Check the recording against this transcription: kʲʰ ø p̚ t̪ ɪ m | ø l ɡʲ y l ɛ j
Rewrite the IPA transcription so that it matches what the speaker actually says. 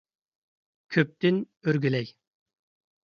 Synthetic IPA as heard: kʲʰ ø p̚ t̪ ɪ n | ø ɾ ɡʲ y l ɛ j